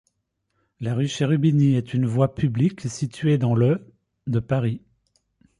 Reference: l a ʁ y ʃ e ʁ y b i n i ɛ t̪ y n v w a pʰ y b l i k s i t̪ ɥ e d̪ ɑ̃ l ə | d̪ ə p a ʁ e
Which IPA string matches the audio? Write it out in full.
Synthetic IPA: l a ʁ y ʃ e ʁ y b i n i ɛ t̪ y n v w a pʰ y b l i k s i t̪ ɥ e d̪ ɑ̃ l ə | d̪ ə p a ʁ i